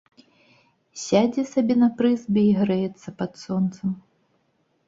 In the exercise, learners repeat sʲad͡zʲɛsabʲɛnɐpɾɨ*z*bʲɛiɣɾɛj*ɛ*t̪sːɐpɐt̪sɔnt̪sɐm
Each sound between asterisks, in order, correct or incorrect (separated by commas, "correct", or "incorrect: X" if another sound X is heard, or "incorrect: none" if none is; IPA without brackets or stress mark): correct, correct